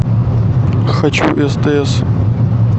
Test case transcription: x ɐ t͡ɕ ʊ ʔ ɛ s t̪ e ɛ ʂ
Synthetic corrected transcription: x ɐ t͡ɕ u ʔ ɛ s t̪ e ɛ s